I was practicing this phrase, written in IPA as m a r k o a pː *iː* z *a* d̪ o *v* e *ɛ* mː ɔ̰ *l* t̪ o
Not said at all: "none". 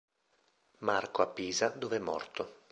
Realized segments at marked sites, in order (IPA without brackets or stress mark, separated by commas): iː, a, v, ɛ, r